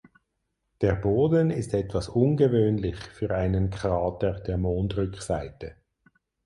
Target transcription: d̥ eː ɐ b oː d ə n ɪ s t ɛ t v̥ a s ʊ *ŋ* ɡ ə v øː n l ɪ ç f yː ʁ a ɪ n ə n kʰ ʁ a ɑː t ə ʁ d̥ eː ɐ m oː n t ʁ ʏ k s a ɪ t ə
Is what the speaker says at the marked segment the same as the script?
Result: no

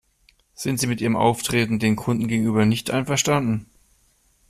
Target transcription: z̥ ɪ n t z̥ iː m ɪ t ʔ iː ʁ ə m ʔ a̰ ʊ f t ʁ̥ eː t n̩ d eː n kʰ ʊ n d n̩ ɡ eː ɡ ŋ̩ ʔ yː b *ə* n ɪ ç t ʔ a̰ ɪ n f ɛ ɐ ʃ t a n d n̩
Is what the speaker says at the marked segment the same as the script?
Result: no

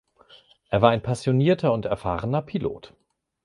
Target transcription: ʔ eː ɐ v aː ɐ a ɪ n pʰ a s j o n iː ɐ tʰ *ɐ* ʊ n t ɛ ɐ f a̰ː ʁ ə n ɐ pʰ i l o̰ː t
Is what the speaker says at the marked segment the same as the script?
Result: yes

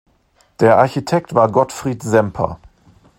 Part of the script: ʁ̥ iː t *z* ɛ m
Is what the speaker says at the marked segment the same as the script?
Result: yes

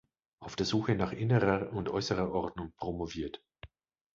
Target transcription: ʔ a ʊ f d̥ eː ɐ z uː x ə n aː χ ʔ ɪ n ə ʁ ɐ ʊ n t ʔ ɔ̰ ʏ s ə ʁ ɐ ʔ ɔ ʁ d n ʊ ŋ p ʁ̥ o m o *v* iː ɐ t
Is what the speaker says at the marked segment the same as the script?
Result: yes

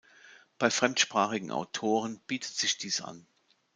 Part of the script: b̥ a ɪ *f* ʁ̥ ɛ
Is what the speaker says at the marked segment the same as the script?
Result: yes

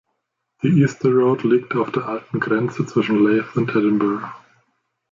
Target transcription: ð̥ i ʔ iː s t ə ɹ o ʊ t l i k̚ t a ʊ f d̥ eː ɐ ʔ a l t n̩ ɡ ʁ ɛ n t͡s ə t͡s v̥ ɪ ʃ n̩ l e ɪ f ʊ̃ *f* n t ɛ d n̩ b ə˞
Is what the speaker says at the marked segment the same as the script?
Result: no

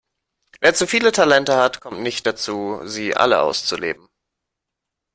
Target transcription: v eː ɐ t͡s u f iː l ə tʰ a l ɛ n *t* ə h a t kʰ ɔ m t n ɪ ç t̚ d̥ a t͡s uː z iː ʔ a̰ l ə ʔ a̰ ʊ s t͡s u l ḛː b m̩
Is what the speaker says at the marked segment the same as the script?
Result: yes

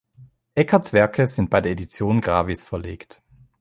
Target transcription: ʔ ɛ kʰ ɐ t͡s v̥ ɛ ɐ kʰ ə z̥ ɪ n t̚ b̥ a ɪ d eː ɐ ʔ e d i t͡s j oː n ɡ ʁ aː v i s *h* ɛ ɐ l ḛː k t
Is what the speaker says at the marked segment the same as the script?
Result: no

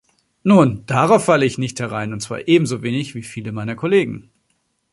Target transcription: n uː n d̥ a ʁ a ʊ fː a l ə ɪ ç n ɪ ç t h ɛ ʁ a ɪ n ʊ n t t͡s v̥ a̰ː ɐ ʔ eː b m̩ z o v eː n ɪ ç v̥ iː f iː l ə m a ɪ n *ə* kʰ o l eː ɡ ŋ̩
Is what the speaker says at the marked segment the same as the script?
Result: no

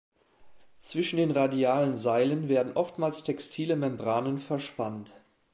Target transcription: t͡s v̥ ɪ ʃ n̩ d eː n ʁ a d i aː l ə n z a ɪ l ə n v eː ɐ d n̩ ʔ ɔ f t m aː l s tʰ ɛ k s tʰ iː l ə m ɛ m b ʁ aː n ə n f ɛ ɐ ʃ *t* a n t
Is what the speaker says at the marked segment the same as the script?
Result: no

